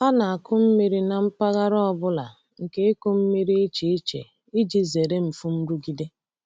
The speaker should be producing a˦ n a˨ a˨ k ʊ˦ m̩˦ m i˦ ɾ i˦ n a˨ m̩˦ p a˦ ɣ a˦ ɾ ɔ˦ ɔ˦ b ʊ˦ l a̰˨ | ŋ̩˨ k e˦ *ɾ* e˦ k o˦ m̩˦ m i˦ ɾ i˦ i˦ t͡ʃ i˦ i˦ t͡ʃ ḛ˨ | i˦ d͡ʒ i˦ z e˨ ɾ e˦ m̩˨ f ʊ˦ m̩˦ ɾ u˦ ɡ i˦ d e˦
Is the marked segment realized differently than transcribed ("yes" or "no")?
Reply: yes